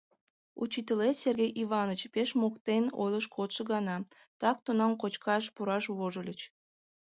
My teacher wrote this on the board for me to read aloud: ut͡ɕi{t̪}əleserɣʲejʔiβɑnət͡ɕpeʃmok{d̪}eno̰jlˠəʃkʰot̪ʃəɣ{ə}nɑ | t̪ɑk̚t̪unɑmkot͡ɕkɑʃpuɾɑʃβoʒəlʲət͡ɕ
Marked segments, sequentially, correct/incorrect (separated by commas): correct, incorrect, incorrect